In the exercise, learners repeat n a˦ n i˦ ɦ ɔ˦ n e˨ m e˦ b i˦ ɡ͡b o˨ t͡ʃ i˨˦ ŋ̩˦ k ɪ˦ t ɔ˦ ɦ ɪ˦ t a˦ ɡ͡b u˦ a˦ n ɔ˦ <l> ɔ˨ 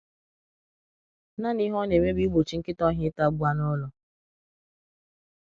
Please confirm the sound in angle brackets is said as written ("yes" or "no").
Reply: yes